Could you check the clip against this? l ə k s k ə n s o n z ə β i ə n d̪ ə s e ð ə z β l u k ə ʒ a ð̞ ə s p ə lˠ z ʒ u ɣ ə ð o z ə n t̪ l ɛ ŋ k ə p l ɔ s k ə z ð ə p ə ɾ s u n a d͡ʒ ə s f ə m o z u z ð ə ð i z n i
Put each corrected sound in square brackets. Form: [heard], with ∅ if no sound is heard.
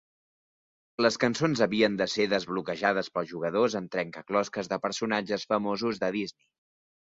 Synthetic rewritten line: l ə [∅] s k ə n s o n z ə β i ə n d̪ ə s e ð ə z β l u k ə ʒ a ð̞ ə s p ə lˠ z ʒ u ɣ ə ð o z ə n t̪ [ɾ] ɛ ŋ k ə [k] l ɔ s k ə z ð ə p ə ɾ s u n a d͡ʒ ə s f ə m o z u z ð ə ð i z n i